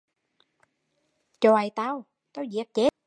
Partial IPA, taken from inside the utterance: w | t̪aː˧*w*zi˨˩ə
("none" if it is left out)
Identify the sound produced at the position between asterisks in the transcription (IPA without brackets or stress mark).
w